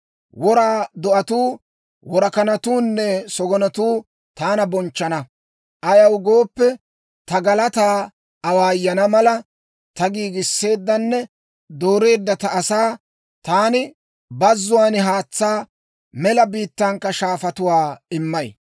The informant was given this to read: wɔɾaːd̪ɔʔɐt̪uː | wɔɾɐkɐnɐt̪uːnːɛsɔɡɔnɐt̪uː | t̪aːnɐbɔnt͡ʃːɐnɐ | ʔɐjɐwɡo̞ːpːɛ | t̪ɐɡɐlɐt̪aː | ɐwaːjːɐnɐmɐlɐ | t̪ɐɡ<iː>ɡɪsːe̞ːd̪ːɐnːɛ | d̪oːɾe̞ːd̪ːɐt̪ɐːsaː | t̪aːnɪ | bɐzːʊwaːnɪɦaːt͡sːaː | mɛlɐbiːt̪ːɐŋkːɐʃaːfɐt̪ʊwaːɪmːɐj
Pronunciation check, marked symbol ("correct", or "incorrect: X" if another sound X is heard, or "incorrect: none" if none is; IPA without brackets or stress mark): correct